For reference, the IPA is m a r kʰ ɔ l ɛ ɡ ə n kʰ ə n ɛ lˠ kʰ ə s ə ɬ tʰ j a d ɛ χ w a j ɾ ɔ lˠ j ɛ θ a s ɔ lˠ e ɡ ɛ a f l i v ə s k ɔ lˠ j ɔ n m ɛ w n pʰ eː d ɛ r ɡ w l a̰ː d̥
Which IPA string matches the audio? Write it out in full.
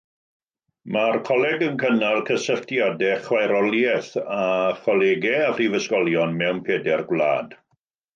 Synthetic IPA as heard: m a r kʰ ɔ l ɛ ɡ ə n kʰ ə n a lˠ kʰ ə s ə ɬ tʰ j a d ɛ χ w a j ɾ ɔ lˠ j ɛ θ a χ ɔ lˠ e ɡ ɛ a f r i v ə s k ɔ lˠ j ɔ n m ɛ w n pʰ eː d ɛ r ɡ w l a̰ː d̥